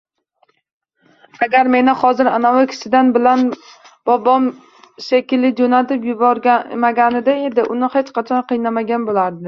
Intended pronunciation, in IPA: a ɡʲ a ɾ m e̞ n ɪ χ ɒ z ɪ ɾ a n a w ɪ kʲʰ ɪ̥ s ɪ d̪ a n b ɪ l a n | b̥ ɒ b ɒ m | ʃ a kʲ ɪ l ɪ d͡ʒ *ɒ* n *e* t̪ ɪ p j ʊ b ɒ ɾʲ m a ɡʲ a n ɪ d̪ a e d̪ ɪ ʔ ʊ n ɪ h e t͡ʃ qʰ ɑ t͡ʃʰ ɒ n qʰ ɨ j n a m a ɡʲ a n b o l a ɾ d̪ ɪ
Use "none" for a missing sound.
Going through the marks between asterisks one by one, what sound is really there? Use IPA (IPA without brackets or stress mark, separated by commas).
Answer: o, a